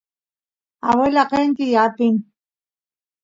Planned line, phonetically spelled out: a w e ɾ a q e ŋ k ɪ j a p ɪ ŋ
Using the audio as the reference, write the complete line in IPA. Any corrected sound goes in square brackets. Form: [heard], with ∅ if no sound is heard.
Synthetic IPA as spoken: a w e [l] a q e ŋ k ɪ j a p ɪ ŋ